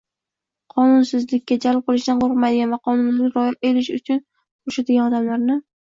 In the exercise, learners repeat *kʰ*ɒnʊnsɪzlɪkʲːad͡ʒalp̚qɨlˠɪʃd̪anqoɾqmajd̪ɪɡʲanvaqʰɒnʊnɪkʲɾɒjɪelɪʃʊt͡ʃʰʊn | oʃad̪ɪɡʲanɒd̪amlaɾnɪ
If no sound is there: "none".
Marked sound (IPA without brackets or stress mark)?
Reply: qʰ